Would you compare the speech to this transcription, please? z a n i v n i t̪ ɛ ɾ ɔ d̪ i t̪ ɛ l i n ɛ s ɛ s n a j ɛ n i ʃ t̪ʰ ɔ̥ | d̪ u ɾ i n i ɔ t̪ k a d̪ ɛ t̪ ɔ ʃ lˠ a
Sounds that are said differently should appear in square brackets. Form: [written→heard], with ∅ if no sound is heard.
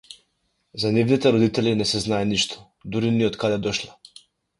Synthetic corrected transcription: z a n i v n i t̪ ɛ ɾ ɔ d̪ i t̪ ɛ l i n ɛ s ɛ [s→z] n a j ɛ n i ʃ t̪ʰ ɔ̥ | d̪ u ɾ i n i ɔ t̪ k a d̪ ɛ [t̪→d̪] ɔ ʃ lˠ a